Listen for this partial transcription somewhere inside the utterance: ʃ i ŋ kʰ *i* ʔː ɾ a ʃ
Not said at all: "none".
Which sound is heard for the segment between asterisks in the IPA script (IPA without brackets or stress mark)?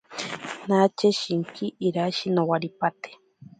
i